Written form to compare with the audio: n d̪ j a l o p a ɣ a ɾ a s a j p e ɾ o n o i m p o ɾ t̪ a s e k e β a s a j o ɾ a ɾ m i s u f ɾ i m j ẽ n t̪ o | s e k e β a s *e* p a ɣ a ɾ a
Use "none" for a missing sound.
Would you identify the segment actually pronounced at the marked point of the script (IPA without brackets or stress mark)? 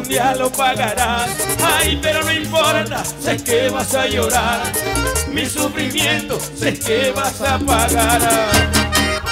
a